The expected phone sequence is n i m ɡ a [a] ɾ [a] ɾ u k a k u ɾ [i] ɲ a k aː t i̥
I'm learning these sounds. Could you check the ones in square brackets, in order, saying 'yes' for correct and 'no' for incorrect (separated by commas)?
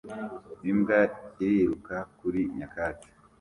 no, no, yes